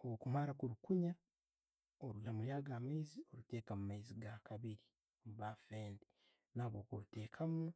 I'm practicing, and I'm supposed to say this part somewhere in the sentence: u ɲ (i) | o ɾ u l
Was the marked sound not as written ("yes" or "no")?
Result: yes